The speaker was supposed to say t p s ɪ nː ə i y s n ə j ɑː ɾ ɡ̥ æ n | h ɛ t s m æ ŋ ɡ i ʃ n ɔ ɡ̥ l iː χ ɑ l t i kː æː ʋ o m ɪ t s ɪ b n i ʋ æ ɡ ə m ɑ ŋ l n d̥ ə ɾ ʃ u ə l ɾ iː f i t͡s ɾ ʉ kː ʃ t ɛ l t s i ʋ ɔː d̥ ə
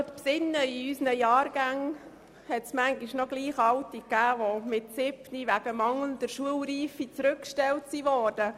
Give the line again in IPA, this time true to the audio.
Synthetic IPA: t p s ɪ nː ə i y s n ə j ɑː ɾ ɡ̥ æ ŋ | h ɛ t s m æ ŋ ɡ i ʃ n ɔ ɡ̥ l iː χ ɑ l t i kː æː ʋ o m ɪ t s ɪ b n i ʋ æ ɡ ə m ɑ ŋ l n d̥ ə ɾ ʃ u ə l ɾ iː f i t͡s ɾ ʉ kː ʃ t ɛ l t s i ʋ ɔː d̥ ə

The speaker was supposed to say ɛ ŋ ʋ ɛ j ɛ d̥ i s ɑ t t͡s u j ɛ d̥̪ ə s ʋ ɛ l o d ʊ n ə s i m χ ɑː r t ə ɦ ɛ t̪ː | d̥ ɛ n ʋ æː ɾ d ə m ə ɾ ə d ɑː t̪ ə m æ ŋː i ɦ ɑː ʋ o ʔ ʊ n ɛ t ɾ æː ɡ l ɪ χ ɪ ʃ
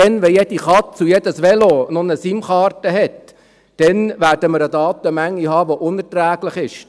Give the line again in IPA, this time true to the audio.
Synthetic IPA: ɛ n ʋ ɛ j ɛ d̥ i χ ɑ t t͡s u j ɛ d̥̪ ə s ʋ ɛ l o n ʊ n ə s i m χ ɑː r t ə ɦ ɛ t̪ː | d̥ ɛ n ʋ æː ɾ d ə m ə ɾ ə d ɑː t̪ ə m æ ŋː i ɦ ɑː ʋ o ʔ ʊ n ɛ t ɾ æː ɡ l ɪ χ ɪ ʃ

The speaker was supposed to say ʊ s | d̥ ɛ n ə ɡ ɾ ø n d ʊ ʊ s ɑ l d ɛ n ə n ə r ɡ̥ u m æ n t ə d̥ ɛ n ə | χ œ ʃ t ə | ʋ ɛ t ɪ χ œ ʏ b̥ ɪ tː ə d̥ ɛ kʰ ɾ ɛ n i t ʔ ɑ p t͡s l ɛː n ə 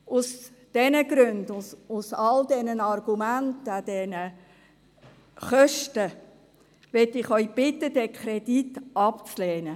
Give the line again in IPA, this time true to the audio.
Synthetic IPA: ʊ s | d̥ ɛ n ə ɡ ɾ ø n d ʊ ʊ s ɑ l d ɛ n ə n ɑ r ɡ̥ u m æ n t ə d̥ ɛ n ə | χ œ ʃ t ə | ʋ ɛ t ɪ χ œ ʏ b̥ ɪ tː ə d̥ ɛ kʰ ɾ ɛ d i t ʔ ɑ p t͡s l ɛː n ə

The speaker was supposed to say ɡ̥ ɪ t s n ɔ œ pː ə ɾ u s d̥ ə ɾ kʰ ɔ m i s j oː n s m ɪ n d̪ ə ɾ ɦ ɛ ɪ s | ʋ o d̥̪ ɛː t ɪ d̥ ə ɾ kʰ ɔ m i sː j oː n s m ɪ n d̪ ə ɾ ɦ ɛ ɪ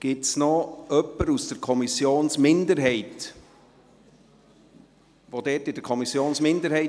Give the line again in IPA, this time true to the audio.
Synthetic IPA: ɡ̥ ɪ t s n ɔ œ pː ə ɾ u s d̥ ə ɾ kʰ ɔ m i s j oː n s m ɪ n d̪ ə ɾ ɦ ɛ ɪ t | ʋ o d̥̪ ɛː t ɪ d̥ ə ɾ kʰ ɔ m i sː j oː n s m ɪ n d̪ ə ɾ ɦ ɛ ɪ

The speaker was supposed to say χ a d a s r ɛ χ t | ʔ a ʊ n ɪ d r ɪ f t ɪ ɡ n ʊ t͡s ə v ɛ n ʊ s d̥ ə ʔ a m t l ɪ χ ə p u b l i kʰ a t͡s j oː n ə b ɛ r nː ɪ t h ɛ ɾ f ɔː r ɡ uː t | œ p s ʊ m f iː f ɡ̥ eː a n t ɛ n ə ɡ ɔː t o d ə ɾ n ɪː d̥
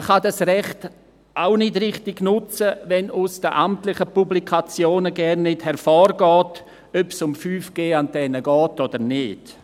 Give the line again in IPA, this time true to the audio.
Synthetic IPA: χ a d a s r ɛ χ t | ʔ a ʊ n ɪ d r ɪ χ t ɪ ɡ n ʊ t͡s ə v ɛ n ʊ s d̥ ə ʔ a m t l ɪ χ ə p u b l i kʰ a t͡s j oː n ə ɡ ɛ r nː ɪ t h ɛ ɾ f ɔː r ɡ ɔː t | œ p s ʊ m f yː f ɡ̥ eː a n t ɛ n ə ɡ ɔː t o d ə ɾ n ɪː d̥

